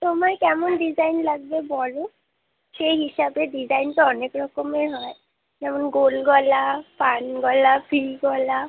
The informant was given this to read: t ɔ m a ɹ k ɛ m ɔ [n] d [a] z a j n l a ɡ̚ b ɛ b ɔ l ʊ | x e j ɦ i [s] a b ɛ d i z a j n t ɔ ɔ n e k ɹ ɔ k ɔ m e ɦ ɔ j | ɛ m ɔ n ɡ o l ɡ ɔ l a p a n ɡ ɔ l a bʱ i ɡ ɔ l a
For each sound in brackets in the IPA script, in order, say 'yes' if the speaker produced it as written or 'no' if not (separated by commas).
yes, no, yes